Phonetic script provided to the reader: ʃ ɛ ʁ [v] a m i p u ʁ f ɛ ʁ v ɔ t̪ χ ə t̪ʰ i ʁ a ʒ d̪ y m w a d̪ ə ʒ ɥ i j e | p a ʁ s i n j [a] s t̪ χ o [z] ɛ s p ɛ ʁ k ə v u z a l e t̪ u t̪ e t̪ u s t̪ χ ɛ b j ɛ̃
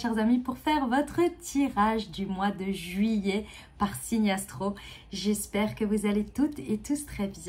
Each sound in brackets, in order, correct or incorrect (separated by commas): incorrect, correct, incorrect